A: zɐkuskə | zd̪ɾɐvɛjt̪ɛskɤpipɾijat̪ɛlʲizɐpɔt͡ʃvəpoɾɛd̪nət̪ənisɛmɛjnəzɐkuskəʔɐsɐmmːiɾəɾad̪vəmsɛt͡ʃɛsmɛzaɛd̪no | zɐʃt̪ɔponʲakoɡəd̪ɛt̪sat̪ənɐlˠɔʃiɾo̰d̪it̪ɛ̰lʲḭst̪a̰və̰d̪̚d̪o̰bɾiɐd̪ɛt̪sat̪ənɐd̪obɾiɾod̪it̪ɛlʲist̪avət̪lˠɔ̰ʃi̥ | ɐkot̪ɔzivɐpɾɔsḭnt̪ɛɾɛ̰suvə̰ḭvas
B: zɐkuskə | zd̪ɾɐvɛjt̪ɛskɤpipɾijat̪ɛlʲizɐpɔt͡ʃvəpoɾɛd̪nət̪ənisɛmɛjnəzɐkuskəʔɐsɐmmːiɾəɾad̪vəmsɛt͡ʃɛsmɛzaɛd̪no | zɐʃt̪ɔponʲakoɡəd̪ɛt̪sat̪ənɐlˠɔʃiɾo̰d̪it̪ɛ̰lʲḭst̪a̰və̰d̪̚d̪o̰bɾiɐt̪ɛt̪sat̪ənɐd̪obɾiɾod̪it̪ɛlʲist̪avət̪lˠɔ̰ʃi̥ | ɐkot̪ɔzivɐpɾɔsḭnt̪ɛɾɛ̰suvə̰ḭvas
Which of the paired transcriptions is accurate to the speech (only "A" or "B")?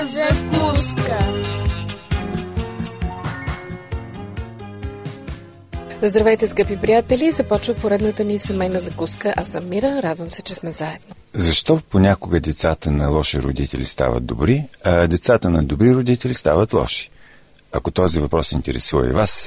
A